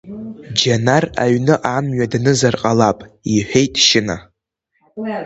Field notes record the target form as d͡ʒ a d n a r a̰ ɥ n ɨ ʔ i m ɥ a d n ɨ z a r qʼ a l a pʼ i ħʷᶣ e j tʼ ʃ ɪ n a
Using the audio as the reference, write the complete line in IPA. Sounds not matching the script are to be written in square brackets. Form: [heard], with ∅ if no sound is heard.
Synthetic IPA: d͡ʒ a [∅] n a r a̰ ɥ n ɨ ʔ [a] m ɥ a d n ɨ z a r qʼ a l a pʼ i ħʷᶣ e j tʼ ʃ ɪ n a